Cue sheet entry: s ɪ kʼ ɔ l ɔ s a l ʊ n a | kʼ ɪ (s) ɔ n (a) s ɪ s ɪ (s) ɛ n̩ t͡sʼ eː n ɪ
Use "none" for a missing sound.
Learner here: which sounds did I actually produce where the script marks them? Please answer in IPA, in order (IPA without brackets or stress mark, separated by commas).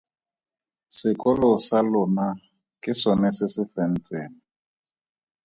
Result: s, ɛ, f